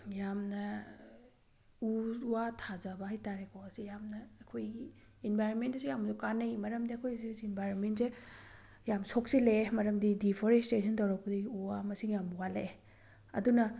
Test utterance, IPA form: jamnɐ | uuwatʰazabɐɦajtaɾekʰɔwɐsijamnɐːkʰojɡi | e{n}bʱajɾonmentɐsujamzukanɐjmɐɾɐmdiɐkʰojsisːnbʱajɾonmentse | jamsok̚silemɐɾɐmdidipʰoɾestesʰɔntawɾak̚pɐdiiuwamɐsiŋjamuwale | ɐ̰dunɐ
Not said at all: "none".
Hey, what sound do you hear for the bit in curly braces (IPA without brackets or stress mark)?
n